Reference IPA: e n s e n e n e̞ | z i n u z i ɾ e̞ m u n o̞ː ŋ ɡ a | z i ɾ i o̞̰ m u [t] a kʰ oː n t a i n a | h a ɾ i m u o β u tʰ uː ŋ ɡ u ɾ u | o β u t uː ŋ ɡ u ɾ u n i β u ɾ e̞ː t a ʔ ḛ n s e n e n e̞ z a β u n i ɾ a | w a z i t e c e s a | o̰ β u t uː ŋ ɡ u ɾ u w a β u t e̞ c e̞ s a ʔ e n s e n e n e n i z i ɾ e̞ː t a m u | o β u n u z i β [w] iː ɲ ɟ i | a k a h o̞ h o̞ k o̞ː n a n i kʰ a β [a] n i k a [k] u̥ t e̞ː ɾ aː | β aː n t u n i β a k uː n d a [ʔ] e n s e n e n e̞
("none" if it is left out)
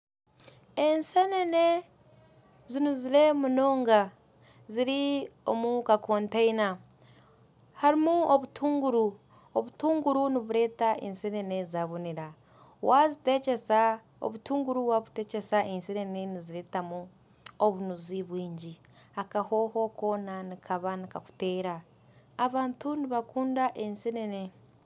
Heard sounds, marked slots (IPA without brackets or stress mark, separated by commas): k, w, a, k, ʔ